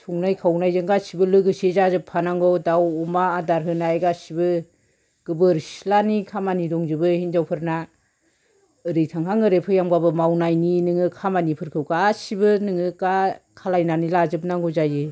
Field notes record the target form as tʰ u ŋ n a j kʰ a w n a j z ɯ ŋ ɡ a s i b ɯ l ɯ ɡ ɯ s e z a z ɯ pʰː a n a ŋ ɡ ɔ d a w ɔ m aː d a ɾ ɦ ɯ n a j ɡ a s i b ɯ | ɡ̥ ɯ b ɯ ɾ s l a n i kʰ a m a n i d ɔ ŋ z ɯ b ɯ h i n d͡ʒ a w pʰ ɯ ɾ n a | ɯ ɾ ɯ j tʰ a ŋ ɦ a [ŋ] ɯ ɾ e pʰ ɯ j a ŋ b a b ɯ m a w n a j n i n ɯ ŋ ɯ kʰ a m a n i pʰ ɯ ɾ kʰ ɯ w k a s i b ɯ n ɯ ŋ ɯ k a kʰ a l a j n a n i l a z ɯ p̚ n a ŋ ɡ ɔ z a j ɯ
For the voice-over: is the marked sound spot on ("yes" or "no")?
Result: yes